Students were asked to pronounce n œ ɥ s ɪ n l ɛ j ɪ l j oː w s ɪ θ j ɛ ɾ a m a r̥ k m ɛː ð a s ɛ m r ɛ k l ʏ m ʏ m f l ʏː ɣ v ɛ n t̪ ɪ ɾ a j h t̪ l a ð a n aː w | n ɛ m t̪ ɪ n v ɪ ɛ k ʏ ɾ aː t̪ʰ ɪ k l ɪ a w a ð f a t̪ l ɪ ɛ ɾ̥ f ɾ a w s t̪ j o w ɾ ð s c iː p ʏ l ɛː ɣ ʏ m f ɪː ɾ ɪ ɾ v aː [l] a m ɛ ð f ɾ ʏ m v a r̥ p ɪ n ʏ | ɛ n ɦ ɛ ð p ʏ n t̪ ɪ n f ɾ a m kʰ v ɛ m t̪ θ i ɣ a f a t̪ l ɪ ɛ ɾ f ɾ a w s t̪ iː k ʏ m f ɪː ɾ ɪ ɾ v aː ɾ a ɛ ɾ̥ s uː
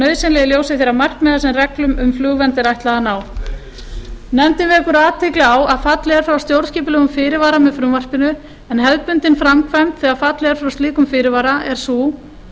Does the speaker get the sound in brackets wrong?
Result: yes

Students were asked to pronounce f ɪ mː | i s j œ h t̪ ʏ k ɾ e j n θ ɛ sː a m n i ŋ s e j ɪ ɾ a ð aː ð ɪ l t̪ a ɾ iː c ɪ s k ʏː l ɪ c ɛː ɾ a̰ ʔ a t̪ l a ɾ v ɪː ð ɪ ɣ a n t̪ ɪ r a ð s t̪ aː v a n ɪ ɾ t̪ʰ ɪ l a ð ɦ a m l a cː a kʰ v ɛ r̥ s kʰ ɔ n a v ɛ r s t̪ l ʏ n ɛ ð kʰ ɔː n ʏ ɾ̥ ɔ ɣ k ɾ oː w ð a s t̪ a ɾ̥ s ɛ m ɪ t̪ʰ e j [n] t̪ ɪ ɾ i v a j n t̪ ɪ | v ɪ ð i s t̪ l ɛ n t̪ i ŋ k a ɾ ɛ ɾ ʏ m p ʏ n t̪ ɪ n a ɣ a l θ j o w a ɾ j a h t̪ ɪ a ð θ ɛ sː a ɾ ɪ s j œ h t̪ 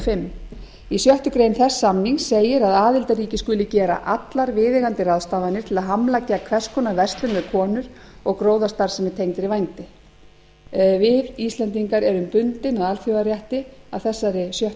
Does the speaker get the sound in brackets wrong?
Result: yes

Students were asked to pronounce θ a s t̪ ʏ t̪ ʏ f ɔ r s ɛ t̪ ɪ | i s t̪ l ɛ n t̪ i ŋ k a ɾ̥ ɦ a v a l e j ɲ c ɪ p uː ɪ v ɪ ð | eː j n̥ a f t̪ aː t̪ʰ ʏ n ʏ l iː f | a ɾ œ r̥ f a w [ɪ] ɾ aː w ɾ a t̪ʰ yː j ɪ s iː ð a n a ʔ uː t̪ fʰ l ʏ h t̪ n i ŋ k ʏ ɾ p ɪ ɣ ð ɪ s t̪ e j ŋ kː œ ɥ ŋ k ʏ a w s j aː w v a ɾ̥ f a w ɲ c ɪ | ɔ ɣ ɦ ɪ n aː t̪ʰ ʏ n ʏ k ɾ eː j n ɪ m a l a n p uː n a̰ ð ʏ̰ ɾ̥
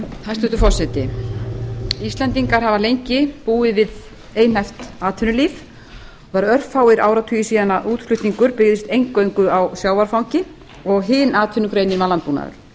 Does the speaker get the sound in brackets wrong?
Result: no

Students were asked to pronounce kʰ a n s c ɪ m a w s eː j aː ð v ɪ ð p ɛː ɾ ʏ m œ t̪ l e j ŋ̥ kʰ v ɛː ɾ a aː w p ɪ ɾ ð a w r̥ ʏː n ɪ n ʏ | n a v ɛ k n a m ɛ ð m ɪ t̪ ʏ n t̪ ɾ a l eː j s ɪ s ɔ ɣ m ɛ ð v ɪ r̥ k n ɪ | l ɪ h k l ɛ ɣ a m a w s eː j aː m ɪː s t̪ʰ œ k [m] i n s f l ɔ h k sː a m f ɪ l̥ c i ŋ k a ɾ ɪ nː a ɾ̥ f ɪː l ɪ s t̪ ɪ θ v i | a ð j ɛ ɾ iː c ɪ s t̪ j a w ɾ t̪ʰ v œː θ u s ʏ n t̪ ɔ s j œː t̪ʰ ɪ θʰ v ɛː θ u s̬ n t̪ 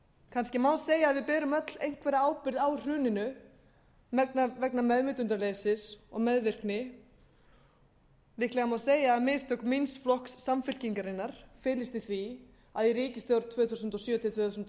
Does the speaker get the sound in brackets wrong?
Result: no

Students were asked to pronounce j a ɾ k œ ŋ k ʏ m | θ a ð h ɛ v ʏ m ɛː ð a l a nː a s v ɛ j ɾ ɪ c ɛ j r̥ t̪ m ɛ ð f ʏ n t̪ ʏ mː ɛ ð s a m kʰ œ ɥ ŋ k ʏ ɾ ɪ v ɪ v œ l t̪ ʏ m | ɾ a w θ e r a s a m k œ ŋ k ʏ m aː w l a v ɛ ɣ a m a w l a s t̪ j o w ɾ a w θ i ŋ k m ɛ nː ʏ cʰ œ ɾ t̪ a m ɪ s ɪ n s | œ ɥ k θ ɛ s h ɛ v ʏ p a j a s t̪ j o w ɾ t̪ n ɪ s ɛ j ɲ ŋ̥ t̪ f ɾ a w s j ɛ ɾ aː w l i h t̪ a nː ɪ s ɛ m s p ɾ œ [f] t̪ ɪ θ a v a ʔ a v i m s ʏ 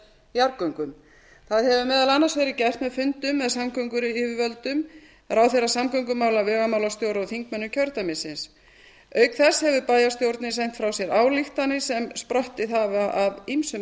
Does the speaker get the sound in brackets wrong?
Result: yes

